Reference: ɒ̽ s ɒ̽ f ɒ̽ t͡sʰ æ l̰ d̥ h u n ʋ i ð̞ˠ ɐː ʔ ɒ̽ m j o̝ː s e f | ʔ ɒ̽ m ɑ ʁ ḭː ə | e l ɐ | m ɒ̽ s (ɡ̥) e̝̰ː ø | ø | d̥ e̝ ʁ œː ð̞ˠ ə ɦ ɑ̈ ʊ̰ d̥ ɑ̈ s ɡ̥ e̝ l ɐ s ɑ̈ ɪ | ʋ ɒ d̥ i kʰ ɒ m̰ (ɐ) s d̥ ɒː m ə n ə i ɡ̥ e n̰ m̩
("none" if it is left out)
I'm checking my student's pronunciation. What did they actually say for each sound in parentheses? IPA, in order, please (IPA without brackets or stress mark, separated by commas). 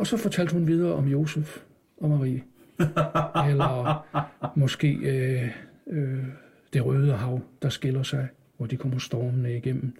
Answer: ɡ̥, ɐ